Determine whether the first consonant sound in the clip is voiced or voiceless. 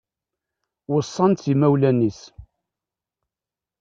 voiced